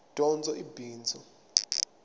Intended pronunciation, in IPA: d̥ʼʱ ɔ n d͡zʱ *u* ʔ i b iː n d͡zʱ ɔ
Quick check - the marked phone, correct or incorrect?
incorrect